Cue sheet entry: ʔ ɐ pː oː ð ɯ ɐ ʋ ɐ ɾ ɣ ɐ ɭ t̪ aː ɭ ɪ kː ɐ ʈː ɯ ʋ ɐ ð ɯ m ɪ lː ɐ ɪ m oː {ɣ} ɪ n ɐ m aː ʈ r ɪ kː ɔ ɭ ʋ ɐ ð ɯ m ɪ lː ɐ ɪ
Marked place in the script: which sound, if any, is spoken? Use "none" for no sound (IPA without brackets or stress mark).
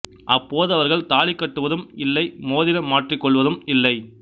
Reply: ð